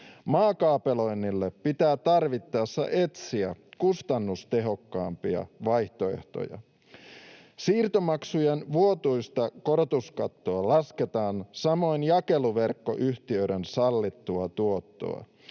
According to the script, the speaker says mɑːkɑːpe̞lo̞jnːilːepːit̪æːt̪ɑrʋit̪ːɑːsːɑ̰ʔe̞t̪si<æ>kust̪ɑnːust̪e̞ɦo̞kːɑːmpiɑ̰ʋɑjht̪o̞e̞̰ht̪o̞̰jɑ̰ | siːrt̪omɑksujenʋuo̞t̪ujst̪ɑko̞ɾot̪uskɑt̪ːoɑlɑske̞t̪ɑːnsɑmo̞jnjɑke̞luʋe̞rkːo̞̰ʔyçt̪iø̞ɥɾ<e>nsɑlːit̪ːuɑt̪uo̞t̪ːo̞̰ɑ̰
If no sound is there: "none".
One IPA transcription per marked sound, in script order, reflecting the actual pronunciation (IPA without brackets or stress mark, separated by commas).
æ, e